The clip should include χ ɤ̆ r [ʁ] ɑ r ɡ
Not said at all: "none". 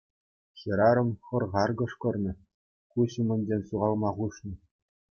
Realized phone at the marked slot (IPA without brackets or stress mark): ʁ